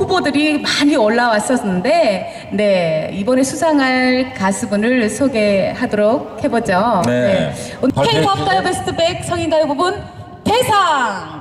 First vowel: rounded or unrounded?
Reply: rounded